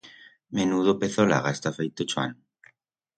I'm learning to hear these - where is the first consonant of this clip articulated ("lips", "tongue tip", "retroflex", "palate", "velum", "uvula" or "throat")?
lips